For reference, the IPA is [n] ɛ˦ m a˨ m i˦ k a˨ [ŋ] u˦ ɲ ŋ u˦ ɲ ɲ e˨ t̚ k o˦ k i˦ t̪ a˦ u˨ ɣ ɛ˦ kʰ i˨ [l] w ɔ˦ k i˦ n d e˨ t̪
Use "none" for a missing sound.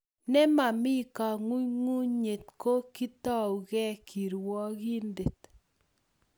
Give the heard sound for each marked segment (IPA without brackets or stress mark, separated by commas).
n, ŋ, ɾ